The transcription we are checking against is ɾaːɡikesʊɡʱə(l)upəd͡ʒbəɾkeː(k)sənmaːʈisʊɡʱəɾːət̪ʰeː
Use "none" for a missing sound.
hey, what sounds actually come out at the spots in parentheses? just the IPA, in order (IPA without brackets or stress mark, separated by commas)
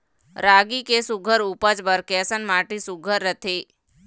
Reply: ɾ, none